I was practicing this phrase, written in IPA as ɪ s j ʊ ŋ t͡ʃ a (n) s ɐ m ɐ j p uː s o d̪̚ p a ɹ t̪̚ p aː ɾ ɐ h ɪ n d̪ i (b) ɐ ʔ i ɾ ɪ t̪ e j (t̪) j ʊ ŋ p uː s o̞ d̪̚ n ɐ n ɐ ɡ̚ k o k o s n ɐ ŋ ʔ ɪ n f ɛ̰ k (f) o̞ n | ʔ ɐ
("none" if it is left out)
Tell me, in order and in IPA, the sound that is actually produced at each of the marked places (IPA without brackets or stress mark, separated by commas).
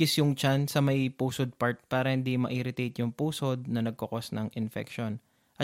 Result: n, m, t̪, ʃ